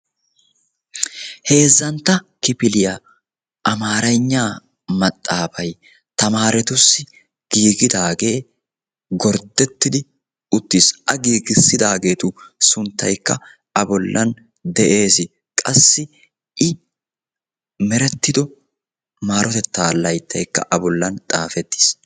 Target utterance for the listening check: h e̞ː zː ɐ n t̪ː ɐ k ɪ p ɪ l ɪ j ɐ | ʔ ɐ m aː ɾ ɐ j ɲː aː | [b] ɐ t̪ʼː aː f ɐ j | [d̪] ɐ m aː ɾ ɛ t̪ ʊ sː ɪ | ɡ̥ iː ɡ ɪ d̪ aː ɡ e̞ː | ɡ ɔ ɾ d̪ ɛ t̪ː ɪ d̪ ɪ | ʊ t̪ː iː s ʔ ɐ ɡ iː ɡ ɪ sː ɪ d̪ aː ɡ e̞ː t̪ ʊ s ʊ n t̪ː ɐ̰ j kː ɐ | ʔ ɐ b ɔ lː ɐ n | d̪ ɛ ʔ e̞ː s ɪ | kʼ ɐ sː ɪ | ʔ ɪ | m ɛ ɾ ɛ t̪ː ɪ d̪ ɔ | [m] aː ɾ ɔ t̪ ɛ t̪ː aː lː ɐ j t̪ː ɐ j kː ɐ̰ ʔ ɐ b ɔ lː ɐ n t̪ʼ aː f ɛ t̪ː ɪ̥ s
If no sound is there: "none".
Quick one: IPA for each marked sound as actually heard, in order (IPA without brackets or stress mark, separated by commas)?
m, t̪, m